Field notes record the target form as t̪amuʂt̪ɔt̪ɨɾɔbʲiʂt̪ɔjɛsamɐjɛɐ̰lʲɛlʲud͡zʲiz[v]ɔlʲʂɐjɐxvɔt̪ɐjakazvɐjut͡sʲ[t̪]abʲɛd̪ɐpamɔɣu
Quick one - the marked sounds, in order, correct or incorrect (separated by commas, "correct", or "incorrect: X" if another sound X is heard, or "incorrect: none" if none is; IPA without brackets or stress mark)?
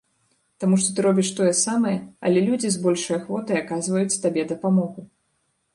incorrect: b, correct